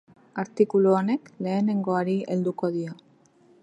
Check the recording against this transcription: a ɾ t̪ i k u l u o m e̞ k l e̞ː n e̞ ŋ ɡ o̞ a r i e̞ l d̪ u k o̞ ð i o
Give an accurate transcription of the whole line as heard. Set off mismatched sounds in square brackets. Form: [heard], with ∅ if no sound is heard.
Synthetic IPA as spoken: a ɾ t̪ i k u l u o [n] e̞ k l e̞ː n e̞ ŋ ɡ o̞ a [ɾ] i e̞ l d̪ u k o̞ ð i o